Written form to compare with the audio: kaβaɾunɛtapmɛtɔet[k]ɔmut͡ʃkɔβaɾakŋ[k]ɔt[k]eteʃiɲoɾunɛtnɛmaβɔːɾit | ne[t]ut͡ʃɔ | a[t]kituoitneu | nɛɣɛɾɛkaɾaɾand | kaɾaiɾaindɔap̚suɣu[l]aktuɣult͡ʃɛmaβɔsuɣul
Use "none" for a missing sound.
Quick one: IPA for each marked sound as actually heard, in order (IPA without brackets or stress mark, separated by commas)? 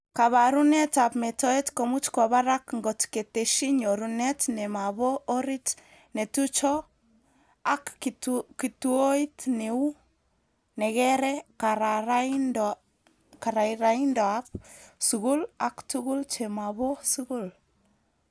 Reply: k, ɡ, k, t, k, l